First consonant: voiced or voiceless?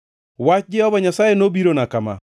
voiced